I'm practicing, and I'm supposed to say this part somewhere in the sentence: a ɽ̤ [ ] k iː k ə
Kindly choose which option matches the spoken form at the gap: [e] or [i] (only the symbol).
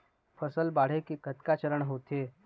e